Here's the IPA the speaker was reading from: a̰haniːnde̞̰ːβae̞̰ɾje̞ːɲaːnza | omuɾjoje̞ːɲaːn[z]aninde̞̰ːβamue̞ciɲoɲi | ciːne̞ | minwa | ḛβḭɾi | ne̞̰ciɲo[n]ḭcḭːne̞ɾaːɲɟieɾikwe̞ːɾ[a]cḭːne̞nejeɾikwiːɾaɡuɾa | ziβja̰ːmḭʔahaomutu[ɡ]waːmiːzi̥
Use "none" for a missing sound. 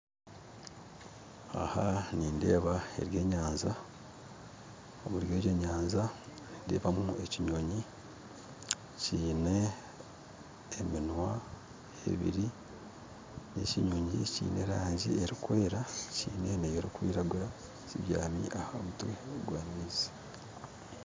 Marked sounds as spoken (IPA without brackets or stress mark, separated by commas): z, ɲ, a, ɡ